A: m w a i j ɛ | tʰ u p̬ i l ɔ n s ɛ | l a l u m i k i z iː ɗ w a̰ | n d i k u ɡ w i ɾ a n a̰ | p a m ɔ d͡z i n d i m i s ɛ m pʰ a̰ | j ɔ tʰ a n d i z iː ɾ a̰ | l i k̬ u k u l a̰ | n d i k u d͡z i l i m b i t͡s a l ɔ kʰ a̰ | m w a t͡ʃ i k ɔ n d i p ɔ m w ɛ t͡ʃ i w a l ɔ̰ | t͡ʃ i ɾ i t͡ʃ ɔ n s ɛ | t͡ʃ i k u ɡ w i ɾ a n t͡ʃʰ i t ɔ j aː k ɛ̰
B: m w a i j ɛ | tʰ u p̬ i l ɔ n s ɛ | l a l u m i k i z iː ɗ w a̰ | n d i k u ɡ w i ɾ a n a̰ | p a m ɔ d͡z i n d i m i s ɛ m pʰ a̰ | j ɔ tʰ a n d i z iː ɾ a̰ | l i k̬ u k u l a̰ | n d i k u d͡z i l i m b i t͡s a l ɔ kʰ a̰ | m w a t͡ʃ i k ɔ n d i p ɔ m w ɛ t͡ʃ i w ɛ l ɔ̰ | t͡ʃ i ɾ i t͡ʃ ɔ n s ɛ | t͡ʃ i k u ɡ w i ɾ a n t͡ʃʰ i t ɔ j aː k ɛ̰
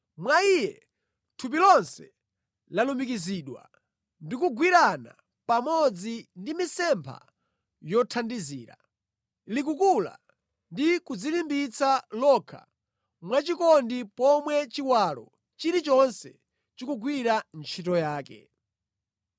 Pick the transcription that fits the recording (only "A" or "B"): A